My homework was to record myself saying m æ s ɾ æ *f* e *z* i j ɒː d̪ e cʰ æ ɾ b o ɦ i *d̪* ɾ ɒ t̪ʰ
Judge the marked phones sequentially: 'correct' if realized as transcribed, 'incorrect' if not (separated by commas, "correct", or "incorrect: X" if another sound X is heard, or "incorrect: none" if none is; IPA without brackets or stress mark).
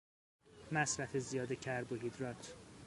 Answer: correct, correct, correct